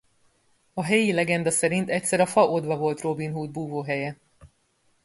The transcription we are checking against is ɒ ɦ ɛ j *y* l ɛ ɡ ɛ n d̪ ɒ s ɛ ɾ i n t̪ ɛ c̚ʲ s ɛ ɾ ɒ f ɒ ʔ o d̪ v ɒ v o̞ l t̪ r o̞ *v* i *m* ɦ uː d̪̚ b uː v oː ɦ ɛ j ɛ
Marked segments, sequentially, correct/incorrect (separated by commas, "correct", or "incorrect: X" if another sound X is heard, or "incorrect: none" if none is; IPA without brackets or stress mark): incorrect: i, incorrect: b, incorrect: n